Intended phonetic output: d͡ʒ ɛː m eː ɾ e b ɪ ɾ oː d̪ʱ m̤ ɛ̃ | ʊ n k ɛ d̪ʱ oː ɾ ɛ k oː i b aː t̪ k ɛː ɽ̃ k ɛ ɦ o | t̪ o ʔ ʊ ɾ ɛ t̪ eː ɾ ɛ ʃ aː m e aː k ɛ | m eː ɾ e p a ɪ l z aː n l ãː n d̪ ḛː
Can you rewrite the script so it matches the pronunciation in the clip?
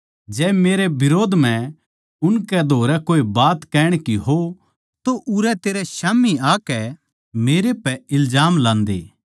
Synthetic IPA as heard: d͡ʒ ɛː m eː ɾ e b ɪ ɾ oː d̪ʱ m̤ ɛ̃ | ʊ n k ɛ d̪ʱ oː ɾ ɛ k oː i b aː t̪ k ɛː ɽ̃ k i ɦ o | t̪ o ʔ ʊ ɾ ɛ t̪ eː ɾ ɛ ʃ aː m i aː k ɛ | m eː ɾ e p ɛ ɪ l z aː m l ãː n d̪ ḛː